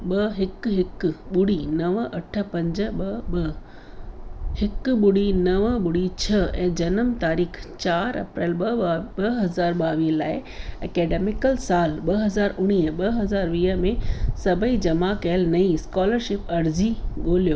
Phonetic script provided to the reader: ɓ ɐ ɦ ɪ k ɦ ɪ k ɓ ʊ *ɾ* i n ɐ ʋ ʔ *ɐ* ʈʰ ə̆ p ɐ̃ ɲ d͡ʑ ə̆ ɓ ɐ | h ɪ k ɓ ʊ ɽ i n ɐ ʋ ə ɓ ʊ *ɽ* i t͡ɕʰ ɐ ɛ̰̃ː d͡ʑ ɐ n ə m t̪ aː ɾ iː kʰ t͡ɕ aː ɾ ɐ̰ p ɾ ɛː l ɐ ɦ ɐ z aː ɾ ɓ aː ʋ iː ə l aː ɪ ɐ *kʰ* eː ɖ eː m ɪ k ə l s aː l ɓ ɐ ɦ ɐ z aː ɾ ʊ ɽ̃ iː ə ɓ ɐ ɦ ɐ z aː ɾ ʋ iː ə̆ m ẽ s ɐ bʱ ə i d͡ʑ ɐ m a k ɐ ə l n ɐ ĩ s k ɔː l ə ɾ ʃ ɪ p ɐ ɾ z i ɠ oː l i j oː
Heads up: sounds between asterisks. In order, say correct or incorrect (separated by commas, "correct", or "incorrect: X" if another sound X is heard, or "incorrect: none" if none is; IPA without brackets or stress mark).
incorrect: ɽ, correct, correct, incorrect: k